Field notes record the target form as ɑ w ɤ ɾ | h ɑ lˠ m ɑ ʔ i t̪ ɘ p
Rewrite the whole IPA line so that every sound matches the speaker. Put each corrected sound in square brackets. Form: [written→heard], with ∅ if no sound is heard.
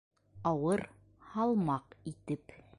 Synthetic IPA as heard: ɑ w ɤ ɾ | h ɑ lˠ m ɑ [ʔ→q] i t̪ ɘ p